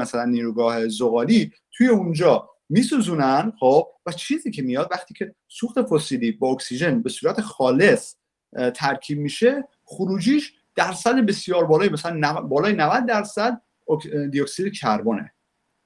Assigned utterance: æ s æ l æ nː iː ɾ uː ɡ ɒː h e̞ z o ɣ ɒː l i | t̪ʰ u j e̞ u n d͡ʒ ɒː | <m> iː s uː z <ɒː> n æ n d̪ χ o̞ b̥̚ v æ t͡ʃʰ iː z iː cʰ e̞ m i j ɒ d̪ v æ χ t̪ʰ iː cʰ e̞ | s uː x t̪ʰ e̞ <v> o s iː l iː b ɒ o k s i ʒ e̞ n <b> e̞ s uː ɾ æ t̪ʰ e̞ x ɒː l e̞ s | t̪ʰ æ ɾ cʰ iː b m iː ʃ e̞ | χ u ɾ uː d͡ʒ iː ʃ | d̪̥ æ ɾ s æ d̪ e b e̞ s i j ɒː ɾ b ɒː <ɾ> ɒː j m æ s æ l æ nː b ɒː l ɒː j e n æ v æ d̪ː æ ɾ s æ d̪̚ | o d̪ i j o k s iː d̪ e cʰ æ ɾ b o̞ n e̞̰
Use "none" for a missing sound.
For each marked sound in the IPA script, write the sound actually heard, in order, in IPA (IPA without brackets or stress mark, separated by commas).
m, uː, f, b, l